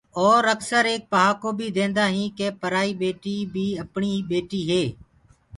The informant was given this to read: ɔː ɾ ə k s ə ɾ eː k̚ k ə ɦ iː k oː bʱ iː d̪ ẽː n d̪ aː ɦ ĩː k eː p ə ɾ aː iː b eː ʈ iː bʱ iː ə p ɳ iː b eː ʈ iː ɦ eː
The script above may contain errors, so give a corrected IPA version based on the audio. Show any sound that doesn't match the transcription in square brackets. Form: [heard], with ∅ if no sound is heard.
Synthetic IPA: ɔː ɾ ə k s ə ɾ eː k̚ [p] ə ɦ [aː] k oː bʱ iː d̪ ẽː n d̪ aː ɦ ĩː k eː p ə ɾ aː iː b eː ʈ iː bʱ iː ə p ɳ iː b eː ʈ iː ɦ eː